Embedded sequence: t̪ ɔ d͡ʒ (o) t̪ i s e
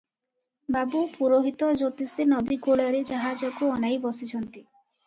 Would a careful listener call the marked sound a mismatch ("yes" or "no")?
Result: no